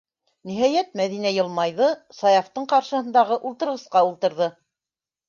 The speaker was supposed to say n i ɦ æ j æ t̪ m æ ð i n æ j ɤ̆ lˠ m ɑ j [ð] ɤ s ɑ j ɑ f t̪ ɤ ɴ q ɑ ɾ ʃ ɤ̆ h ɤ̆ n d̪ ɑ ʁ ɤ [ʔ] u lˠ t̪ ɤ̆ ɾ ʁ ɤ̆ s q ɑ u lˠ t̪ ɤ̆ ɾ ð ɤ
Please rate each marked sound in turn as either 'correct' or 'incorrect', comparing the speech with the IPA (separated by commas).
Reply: correct, correct